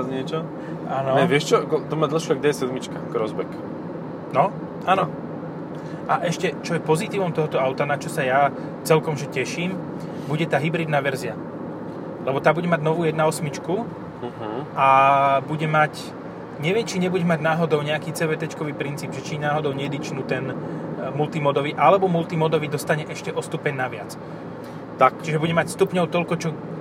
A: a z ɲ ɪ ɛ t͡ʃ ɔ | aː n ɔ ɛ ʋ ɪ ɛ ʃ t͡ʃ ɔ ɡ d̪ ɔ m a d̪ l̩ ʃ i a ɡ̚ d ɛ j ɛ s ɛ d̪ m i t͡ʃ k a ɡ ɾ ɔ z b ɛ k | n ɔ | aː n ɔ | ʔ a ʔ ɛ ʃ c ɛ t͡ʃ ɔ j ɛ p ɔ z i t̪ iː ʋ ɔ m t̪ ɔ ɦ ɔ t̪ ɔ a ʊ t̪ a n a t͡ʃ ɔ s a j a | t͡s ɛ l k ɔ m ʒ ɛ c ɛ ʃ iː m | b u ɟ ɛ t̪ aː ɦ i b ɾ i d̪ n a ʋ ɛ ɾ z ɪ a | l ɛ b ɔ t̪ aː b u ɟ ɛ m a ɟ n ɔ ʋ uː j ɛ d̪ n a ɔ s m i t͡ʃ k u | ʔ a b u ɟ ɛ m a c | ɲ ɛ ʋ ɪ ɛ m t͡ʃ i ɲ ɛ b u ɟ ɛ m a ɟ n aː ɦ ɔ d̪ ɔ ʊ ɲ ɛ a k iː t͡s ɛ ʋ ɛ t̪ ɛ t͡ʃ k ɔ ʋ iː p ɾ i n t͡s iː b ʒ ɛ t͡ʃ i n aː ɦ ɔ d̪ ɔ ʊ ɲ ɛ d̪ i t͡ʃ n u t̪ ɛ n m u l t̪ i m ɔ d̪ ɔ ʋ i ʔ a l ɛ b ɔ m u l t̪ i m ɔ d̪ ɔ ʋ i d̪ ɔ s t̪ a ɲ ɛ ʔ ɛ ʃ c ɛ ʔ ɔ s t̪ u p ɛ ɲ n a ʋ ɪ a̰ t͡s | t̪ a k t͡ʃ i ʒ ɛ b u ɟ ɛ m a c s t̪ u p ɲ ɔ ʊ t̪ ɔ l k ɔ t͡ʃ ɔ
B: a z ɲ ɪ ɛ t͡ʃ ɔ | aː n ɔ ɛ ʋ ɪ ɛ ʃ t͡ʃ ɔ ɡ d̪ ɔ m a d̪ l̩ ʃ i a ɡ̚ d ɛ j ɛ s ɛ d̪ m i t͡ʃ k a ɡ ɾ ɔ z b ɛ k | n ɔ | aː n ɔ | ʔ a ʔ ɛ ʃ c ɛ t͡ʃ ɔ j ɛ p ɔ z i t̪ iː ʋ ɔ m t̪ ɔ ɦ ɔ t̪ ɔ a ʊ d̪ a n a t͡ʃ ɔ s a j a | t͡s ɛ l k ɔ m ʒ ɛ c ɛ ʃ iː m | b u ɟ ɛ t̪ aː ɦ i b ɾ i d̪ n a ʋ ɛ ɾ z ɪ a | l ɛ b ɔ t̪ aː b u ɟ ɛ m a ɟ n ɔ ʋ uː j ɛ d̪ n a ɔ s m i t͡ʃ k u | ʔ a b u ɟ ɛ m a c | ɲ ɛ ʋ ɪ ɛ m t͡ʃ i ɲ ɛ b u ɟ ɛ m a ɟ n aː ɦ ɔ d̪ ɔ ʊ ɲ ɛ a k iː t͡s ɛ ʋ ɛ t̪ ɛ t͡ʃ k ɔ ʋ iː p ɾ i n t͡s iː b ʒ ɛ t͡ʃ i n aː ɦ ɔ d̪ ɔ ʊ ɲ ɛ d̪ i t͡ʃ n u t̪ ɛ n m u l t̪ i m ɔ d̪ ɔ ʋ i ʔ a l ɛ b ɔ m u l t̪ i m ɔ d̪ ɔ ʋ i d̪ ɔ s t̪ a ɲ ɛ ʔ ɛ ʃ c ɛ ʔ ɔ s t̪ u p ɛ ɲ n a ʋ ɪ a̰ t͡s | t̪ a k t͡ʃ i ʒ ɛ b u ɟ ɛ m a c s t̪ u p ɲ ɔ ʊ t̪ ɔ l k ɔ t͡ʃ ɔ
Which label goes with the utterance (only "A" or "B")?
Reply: A